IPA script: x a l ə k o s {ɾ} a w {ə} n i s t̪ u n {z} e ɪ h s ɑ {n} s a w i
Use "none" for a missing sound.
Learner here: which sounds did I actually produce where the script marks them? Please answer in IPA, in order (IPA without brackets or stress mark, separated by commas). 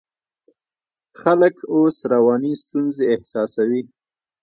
ɾ, ɑ, z, none